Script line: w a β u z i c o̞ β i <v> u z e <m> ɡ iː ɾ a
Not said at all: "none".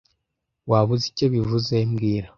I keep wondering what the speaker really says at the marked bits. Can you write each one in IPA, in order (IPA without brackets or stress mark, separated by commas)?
v, m